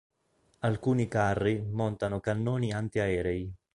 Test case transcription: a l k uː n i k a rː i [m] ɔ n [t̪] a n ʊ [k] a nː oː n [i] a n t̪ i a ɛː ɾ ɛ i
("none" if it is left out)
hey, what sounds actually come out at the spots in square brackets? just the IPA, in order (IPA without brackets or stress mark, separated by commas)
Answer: m, t̪, k, i